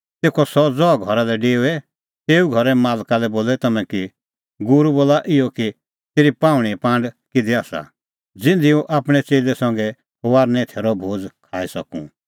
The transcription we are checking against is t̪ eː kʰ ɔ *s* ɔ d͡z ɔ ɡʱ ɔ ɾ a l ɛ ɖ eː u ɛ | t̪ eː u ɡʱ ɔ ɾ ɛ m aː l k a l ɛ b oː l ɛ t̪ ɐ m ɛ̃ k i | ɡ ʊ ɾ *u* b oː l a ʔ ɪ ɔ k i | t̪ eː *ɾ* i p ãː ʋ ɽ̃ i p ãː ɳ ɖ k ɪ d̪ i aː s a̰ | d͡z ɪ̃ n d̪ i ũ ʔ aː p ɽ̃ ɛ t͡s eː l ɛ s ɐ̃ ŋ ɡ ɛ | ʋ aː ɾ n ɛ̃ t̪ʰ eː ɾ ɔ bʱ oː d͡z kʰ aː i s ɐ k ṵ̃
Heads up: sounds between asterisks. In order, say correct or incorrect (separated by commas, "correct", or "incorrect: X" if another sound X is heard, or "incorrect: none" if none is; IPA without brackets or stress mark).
correct, correct, correct